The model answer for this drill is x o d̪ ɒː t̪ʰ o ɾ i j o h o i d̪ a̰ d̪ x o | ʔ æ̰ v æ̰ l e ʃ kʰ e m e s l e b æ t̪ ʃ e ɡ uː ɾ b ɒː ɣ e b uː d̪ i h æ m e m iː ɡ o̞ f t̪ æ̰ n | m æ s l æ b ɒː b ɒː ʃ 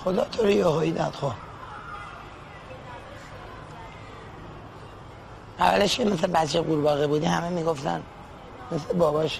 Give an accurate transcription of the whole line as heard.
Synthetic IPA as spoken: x o d̪ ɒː t̪ʰ o ɾ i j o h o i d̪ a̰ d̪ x o | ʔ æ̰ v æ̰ l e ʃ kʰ e m e s l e b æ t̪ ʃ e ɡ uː ɾ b ɒː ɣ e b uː d̪ i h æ m e m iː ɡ o̞ f t̪ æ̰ n | m e s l e b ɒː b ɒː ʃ